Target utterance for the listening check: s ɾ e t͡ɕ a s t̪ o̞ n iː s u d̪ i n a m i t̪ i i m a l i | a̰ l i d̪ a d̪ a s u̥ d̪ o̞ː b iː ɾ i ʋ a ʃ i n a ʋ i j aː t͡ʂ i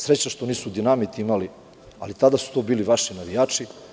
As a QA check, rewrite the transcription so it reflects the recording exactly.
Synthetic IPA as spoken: s ɾ e t͡ɕ a ʃ t̪ o̞ n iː s u d̪ i n a m i t̪ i i m a l i | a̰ l i t̪ a d̪ a s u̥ t̪ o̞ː b iː l i ʋ a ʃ i n a ʋ i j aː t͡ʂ i